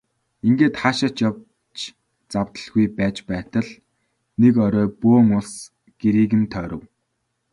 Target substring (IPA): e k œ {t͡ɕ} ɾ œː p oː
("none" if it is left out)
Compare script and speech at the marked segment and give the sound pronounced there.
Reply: none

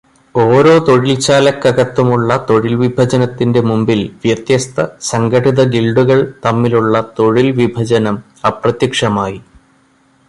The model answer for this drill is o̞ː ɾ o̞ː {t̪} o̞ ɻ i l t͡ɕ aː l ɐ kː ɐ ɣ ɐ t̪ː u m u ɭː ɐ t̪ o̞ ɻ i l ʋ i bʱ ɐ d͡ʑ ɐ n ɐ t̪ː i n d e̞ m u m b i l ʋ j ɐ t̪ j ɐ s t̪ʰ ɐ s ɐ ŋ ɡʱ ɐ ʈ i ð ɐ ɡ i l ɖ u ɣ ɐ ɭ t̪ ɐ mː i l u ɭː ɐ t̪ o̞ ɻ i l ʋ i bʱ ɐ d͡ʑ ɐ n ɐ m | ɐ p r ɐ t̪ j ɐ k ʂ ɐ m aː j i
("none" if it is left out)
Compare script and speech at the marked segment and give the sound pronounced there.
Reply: t̪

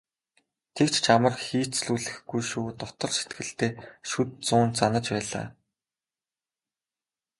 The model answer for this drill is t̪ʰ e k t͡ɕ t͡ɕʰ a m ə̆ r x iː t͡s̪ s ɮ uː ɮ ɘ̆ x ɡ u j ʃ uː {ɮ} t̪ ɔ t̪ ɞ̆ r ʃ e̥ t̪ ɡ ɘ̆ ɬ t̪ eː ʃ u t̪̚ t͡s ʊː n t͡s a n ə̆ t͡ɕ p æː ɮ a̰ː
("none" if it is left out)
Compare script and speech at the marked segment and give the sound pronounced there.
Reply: none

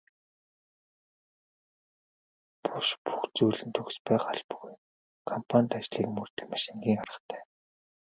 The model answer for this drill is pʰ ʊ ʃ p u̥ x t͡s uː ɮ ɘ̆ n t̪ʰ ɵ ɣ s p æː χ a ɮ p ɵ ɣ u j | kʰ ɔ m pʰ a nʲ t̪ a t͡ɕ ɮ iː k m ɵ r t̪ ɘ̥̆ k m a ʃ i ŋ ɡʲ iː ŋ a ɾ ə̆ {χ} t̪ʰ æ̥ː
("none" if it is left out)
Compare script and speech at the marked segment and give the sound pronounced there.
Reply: χ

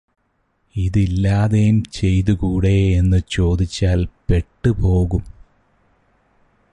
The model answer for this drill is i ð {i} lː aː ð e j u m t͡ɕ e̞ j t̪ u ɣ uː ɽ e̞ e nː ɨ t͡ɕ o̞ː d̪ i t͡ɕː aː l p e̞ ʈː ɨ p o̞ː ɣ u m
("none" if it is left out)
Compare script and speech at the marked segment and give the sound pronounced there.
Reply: i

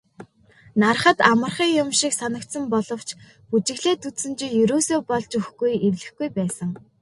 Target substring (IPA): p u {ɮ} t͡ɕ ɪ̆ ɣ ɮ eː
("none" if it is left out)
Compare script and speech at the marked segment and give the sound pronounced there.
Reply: none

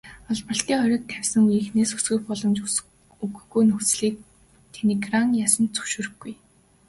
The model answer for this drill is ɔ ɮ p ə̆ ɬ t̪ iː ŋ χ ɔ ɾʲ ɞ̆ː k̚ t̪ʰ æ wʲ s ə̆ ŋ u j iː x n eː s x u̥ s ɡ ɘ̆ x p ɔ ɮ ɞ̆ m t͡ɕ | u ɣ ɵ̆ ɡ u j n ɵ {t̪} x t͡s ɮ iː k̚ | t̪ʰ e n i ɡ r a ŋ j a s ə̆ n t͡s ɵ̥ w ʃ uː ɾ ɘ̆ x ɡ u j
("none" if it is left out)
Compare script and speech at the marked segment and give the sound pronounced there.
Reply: none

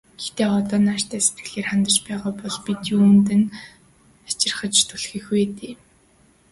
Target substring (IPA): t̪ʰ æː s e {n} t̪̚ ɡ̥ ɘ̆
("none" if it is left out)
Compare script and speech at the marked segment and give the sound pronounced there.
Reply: none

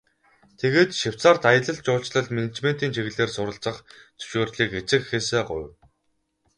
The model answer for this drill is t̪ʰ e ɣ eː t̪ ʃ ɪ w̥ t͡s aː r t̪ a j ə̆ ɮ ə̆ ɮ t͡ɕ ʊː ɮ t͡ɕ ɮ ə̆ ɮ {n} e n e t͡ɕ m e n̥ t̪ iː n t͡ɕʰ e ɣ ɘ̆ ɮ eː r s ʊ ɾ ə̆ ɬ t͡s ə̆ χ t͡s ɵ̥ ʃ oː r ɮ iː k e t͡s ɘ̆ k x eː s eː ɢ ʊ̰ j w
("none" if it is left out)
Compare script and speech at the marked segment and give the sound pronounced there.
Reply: m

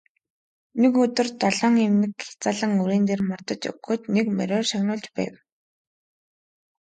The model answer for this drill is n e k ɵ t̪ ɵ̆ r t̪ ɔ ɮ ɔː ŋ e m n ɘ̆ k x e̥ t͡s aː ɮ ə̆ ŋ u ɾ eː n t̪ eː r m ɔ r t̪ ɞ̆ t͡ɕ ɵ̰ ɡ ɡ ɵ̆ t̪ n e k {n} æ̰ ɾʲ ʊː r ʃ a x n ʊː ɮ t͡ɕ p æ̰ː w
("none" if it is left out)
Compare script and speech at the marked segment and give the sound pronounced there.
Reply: m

